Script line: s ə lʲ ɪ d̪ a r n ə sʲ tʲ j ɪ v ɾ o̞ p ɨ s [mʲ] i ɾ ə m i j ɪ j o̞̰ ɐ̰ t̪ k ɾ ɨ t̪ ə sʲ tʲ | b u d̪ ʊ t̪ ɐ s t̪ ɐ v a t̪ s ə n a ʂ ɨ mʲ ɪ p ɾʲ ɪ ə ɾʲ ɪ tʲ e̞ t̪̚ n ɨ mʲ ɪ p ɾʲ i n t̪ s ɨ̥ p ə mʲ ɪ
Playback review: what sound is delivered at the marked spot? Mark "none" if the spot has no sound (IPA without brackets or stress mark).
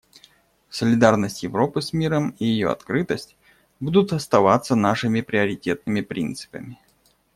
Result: mʲ